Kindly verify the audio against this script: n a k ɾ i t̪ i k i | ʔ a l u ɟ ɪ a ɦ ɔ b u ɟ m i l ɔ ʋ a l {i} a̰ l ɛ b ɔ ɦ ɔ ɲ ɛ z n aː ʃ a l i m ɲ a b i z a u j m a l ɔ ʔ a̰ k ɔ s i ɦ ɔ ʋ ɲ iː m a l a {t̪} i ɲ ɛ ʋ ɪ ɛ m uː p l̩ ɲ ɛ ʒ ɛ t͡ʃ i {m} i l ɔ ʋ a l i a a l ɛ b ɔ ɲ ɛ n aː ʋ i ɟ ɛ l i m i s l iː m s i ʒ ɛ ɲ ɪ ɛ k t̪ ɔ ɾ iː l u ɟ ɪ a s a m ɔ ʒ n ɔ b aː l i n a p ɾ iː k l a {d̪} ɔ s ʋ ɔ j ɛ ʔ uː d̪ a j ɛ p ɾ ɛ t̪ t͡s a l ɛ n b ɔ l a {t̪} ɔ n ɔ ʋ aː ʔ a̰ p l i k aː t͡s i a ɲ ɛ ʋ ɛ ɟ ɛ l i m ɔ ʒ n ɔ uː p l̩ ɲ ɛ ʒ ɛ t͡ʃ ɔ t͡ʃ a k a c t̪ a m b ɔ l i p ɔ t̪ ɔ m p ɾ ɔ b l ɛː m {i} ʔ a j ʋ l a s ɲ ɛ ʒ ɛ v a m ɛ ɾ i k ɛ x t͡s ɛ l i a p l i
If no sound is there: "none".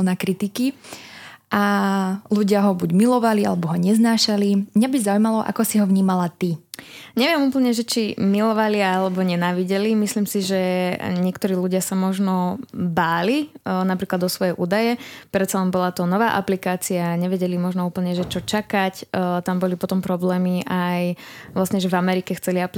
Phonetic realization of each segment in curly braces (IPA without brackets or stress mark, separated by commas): i, t̪, m, d̪, t̪, i